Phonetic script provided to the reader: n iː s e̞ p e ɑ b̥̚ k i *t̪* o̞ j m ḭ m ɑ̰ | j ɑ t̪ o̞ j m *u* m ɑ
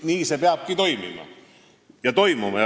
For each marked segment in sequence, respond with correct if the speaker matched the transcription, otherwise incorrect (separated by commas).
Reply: correct, correct